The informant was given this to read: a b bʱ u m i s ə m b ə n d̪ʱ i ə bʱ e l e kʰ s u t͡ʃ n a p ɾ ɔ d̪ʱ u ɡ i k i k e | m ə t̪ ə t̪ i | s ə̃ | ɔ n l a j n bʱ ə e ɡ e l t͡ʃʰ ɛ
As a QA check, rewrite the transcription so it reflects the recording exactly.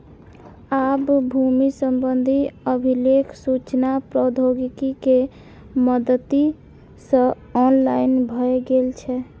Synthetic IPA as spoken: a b bʱ u m i s ə m b ə n d̪ʱ i ə bʱ i l e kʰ s u t͡ʃ n a p ɾ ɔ d̪ʱ o ɡ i k i k e | m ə d̪ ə t̪ i | s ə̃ | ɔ n l a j n bʱ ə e ɡ e l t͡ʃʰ ɛ